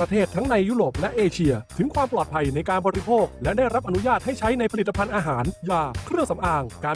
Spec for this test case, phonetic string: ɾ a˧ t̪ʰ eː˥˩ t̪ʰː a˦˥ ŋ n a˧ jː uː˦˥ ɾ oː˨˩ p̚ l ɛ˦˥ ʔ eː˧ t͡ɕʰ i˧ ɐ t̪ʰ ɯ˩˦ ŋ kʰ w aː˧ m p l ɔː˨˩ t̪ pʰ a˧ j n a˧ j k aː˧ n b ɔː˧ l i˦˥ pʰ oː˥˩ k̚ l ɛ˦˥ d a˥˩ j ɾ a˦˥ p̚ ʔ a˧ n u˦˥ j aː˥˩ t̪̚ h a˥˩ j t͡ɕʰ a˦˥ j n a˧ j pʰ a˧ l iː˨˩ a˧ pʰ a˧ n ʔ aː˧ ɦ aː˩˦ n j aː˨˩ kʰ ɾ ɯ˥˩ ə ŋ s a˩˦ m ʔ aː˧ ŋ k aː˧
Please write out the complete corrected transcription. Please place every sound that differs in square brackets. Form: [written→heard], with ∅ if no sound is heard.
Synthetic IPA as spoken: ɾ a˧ t̪ʰ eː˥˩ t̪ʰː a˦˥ ŋ n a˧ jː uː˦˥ ɾ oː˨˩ p̚ l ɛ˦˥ ʔ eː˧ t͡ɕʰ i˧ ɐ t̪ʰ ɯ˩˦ ŋ kʰ w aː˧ m p l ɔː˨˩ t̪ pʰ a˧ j n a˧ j k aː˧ n b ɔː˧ [l→ɾ] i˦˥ pʰ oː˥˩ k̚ l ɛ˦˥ d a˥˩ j ɾ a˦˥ p̚ ʔ a˧ n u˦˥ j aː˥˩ t̪̚ h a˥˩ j t͡ɕʰ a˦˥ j n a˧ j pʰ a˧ l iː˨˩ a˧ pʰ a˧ n ʔ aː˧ ɦ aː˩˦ n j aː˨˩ kʰ ɾ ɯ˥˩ ə ŋ s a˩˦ m ʔ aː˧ ŋ k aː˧